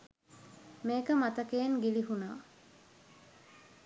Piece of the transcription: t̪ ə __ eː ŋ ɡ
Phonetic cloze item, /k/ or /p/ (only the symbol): k